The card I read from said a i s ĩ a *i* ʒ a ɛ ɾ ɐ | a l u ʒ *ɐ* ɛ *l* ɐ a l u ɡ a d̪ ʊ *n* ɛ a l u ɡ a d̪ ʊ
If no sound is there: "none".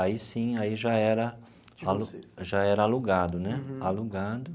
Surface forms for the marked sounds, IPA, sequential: i, a, ɾ, n

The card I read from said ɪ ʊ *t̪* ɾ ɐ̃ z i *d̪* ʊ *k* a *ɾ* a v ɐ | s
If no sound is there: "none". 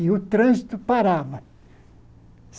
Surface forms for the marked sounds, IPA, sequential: t̪, t̪, p, ɾ

